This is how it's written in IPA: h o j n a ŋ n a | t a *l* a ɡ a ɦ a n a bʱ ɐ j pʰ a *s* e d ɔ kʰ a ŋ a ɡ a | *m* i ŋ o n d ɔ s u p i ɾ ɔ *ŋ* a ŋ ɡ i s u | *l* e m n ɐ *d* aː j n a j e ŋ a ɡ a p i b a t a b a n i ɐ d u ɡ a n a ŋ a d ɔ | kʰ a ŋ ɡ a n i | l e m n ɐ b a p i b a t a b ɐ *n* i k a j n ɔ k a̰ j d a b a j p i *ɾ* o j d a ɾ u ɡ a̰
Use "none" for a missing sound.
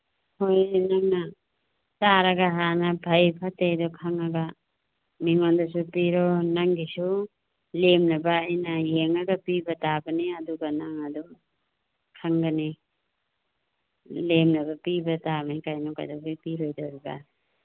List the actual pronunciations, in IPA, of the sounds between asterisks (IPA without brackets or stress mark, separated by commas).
ɾ, t, m, n, l, b, n, ɾ